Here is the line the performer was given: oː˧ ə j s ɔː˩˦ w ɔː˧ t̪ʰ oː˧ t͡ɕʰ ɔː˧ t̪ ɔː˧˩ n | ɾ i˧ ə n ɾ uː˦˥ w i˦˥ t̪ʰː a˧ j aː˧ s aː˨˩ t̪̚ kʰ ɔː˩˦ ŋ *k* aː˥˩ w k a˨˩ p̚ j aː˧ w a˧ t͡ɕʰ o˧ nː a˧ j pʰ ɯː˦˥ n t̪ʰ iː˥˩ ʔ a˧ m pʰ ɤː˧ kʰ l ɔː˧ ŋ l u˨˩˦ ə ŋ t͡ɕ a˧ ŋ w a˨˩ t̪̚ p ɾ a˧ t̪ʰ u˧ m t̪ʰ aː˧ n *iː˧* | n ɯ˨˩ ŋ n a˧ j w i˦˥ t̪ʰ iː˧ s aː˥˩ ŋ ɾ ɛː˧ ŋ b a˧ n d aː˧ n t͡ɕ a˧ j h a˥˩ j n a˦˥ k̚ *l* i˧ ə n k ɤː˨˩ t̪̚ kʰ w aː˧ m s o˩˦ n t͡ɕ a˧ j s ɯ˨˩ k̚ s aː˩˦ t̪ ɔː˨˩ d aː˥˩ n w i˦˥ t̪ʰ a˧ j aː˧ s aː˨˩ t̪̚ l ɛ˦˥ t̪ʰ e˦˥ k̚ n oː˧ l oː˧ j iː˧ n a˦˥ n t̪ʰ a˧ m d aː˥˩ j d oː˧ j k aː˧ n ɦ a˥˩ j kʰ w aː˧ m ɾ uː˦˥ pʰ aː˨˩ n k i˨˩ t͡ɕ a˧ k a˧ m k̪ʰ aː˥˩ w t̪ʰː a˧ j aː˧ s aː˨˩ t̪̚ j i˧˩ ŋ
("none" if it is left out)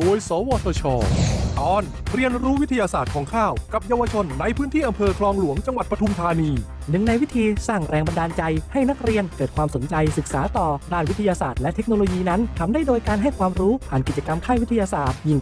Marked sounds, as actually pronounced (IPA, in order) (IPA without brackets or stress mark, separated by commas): kʰ, iː˧, ɾ